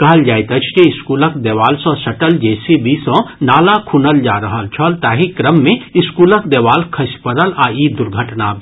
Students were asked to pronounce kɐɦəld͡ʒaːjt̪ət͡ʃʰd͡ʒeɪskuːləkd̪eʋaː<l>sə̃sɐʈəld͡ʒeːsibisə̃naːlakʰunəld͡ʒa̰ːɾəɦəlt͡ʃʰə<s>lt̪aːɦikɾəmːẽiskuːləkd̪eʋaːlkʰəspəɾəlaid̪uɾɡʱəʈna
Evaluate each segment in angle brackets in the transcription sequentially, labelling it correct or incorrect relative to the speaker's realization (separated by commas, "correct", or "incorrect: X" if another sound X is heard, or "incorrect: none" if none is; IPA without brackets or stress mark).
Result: correct, incorrect: none